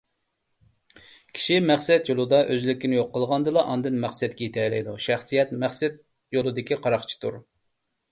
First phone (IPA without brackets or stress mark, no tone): kʲʰ